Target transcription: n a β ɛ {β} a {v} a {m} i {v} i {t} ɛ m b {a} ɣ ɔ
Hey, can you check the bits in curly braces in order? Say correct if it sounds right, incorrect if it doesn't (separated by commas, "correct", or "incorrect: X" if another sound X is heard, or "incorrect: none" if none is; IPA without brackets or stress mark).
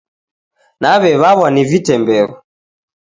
correct, incorrect: β, incorrect: n, correct, correct, incorrect: ɛ